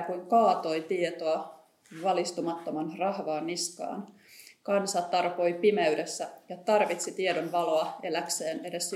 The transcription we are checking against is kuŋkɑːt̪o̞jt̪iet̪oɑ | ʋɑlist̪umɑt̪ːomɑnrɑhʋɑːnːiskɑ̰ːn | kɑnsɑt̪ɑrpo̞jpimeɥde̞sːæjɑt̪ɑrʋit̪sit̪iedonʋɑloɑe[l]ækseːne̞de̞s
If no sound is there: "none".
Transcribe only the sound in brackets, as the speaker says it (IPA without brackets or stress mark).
l